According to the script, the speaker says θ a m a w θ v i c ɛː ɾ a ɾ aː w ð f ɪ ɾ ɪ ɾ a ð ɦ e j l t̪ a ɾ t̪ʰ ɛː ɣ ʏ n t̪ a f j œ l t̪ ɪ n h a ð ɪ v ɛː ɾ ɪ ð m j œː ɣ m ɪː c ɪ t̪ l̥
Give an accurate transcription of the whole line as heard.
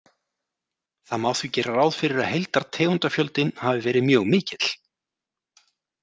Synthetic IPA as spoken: θ a m a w θ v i c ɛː ɾ a ɾ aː w ð f ɪ ɾ ɪ ɾ a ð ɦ e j l t̪ a ɾ t̪ʰ ɛː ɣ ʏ n t̪ a f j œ l t̪ ɪ n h a v ɪ v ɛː ɾ ɪ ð m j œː ɣ m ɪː c ɪ t̪ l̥